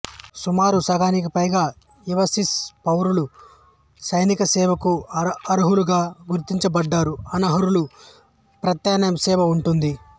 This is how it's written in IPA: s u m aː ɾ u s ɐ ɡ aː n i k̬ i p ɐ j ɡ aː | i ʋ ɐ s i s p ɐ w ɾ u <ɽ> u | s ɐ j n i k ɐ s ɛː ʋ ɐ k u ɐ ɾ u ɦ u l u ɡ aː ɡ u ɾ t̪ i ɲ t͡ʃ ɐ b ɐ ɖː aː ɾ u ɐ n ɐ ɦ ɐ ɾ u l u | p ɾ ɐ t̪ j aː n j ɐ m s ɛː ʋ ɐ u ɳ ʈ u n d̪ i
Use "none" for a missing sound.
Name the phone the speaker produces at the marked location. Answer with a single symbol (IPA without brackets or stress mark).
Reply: l